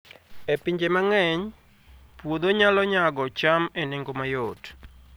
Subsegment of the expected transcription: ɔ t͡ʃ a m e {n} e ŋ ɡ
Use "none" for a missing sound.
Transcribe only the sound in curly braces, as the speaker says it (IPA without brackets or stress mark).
n